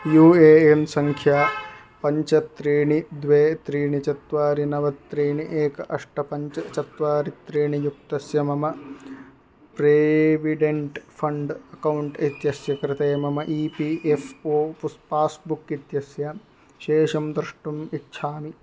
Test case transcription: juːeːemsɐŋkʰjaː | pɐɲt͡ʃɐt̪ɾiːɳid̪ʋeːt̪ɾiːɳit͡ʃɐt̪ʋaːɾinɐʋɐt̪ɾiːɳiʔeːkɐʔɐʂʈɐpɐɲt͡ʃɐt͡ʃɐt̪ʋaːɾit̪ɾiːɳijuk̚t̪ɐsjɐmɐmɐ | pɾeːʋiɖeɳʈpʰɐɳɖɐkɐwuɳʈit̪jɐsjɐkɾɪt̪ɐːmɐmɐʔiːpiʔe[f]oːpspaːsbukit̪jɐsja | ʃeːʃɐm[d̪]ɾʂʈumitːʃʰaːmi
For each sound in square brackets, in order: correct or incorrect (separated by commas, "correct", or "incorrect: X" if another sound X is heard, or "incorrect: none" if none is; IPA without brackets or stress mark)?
correct, correct